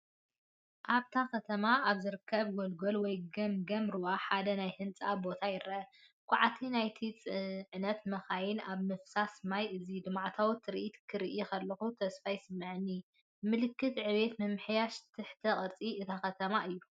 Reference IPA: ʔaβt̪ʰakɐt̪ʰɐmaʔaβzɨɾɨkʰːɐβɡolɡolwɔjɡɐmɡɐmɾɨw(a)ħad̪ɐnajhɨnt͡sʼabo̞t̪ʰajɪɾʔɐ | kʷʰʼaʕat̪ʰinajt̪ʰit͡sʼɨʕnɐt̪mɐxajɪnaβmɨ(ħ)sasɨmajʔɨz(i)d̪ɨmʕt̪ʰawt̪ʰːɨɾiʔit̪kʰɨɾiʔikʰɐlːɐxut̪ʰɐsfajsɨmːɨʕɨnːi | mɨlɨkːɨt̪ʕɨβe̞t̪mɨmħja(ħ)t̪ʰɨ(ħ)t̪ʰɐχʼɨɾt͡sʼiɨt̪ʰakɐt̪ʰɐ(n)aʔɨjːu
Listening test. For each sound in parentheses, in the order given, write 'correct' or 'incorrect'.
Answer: correct, incorrect, correct, incorrect, correct, incorrect

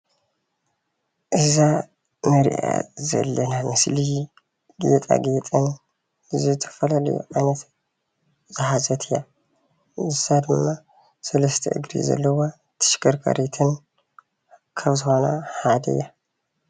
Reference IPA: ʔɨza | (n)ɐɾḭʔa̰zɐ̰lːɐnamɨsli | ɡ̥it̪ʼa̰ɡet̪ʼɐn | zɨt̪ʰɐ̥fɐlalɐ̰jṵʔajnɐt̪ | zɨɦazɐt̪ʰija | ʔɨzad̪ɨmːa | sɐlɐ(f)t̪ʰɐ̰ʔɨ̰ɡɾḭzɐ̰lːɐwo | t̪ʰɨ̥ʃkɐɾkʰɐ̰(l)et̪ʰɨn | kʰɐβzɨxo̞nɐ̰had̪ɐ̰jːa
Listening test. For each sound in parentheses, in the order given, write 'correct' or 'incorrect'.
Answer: incorrect, incorrect, incorrect

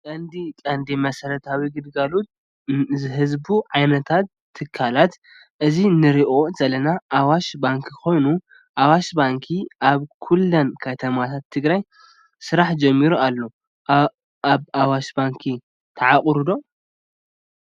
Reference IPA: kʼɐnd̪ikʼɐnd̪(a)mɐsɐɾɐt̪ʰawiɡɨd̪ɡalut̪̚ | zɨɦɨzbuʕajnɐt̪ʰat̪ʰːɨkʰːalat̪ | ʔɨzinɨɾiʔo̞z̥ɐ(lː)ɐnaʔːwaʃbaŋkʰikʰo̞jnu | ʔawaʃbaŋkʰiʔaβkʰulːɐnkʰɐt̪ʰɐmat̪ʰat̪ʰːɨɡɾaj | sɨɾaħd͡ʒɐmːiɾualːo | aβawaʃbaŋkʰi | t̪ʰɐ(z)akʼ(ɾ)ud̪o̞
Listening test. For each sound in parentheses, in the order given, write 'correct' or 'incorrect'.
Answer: incorrect, incorrect, incorrect, correct

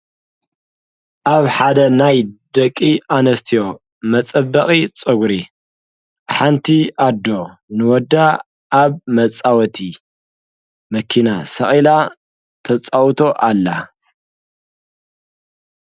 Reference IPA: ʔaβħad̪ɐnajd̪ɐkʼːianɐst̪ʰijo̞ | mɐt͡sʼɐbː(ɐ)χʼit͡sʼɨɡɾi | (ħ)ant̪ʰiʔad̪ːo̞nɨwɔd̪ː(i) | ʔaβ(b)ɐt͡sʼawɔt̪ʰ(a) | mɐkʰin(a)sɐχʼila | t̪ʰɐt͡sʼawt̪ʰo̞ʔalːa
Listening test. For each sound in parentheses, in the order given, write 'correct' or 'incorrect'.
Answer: correct, correct, incorrect, incorrect, incorrect, correct

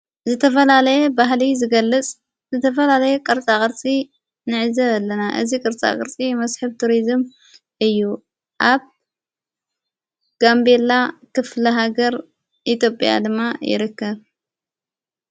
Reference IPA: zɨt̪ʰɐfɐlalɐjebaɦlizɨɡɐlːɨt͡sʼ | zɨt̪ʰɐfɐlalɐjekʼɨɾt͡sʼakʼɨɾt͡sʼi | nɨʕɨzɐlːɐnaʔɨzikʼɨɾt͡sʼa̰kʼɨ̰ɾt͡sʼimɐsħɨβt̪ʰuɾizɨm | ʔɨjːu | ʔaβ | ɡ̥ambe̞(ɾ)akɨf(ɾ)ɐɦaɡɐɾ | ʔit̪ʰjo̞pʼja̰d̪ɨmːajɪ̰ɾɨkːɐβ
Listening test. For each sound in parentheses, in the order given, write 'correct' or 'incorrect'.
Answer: incorrect, incorrect

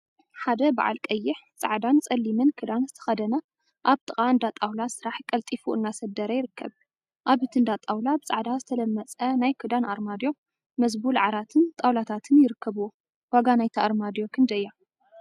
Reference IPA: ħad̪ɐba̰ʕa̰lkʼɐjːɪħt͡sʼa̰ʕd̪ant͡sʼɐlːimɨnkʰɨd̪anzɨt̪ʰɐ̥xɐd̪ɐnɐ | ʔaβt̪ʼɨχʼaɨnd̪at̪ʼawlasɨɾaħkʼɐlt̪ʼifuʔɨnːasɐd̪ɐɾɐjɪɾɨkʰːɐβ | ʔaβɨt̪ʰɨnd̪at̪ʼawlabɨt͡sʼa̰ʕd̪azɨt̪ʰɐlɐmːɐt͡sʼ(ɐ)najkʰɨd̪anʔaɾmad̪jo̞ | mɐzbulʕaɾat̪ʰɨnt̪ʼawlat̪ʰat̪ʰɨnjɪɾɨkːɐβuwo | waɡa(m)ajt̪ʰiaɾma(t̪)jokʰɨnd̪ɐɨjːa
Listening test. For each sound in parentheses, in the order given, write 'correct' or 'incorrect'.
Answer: correct, incorrect, incorrect

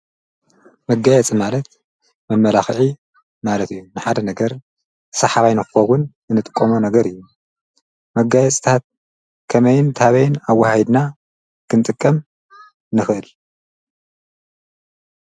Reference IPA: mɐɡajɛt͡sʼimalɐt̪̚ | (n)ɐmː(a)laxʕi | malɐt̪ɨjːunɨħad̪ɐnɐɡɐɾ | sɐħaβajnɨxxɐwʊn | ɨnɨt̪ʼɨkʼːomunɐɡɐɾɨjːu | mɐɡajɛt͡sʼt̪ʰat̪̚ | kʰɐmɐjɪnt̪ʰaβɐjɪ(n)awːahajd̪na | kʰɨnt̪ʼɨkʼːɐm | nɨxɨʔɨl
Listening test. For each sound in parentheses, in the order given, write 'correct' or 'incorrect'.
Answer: incorrect, incorrect, correct

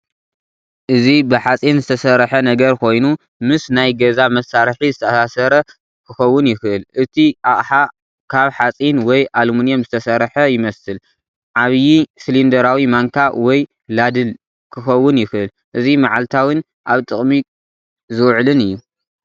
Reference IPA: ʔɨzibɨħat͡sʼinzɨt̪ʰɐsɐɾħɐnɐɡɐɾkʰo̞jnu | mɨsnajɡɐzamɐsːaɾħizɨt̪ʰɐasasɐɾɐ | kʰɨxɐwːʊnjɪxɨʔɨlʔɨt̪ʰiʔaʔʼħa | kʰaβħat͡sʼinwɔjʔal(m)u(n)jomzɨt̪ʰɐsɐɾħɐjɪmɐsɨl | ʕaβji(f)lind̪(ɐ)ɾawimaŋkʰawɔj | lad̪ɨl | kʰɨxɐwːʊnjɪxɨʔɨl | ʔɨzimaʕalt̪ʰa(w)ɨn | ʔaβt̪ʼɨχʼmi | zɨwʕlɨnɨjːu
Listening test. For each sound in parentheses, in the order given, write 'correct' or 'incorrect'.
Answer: correct, correct, incorrect, correct, correct

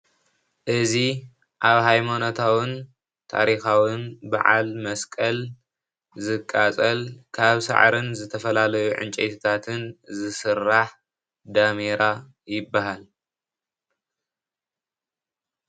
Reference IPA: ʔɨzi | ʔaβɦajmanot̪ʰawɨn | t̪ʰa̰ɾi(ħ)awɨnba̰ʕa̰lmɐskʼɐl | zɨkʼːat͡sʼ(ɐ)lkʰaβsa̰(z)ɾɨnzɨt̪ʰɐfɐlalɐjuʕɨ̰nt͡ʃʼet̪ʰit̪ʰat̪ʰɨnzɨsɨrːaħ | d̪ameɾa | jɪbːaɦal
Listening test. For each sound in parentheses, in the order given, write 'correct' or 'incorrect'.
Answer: incorrect, correct, incorrect

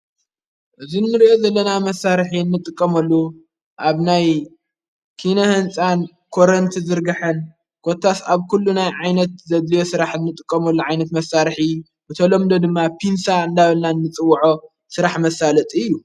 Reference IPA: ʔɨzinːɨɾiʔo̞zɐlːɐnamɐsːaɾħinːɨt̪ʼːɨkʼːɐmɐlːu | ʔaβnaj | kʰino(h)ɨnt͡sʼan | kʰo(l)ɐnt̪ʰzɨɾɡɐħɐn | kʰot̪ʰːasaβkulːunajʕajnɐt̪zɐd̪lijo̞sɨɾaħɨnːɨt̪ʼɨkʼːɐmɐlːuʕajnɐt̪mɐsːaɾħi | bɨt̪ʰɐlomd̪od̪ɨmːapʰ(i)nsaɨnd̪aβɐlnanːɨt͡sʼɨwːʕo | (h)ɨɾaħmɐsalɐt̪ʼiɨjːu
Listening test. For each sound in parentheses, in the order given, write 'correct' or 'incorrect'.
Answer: correct, incorrect, correct, incorrect

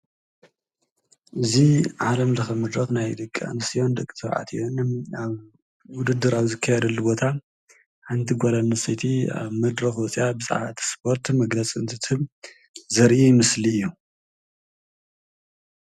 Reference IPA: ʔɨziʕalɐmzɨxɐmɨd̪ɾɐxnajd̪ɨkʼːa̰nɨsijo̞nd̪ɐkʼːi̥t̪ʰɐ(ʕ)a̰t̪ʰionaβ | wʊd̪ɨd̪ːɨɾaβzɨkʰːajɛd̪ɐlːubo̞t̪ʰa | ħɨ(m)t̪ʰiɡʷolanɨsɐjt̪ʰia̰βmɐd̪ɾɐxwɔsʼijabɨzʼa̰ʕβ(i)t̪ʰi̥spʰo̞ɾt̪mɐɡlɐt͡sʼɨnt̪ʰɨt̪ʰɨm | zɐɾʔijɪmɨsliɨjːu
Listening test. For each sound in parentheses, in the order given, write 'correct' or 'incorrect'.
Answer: correct, incorrect, incorrect

